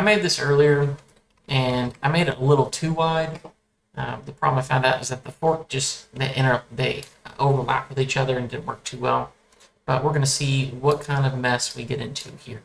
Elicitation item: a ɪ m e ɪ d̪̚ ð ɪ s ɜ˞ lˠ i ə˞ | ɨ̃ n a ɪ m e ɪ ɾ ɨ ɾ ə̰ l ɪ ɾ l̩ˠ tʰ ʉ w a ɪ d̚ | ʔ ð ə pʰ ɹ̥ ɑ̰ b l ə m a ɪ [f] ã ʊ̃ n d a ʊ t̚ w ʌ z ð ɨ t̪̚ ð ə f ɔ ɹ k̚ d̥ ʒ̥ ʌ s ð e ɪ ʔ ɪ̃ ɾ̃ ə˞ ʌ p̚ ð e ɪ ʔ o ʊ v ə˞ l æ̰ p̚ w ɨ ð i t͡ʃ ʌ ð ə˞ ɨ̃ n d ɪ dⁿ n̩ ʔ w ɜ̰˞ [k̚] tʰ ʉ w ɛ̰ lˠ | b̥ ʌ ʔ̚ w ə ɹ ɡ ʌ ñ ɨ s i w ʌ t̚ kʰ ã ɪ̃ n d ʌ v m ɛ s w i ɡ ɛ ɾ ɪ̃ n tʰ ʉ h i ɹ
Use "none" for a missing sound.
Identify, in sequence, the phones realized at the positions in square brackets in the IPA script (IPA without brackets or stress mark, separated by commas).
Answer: f, k̚